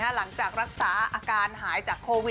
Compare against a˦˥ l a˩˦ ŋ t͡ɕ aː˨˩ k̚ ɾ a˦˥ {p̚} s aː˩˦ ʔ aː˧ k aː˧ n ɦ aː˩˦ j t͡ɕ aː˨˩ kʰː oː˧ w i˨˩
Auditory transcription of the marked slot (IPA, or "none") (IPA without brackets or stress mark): k̚